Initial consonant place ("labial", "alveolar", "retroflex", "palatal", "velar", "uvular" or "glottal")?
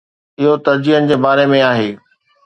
glottal